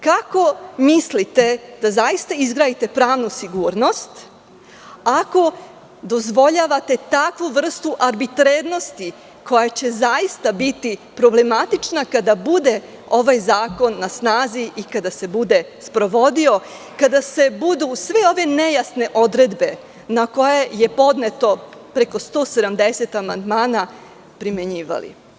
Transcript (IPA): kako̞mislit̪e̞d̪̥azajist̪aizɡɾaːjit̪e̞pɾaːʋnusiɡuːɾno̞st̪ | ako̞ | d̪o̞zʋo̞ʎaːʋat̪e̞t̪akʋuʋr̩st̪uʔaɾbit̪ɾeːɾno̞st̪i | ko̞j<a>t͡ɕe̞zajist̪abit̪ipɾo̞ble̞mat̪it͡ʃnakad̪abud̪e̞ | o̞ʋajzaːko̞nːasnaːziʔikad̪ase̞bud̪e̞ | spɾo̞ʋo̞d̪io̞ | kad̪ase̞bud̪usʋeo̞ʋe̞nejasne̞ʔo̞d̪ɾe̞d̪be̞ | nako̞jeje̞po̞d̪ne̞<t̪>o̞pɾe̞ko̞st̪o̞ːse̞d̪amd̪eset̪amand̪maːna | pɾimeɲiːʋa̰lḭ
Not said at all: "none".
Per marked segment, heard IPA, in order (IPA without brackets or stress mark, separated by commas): a, t̪